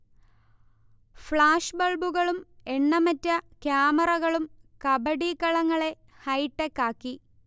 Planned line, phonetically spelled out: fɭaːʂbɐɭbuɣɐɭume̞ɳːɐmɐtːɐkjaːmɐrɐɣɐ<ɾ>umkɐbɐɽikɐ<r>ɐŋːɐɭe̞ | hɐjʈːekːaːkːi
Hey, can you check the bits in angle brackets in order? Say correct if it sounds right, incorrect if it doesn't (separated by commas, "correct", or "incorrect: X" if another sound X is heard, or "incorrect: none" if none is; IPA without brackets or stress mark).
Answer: incorrect: ɭ, incorrect: ɭ